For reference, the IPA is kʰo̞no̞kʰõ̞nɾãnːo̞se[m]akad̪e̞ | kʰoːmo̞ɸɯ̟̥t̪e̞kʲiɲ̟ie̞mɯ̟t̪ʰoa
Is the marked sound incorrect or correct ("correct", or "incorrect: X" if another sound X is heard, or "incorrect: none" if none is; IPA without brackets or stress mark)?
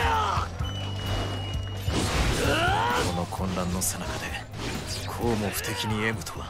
incorrect: n